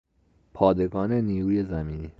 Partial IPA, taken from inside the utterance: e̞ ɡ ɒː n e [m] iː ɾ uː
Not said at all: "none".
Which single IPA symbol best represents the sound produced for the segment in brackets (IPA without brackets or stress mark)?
n